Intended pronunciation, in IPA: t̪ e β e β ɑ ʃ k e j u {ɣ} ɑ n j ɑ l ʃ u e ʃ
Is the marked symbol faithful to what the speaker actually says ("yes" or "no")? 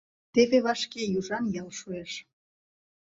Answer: no